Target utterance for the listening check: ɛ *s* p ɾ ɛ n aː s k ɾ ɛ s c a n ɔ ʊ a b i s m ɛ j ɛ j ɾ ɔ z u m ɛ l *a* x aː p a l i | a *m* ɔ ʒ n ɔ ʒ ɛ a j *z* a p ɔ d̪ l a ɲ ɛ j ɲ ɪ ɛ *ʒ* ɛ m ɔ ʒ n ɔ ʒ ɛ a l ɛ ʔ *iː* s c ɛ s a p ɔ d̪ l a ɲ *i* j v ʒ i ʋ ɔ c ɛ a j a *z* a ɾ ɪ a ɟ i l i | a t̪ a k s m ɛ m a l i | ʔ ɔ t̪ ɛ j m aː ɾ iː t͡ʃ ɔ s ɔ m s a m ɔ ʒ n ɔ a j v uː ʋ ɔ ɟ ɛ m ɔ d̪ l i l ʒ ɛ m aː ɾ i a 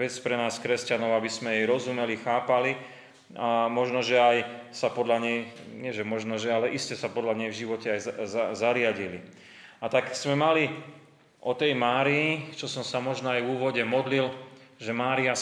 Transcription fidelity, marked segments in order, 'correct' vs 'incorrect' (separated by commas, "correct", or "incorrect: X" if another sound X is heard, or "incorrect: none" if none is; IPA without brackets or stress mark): incorrect: t͡s, incorrect: i, correct, incorrect: s, correct, incorrect: i, incorrect: ɛ, correct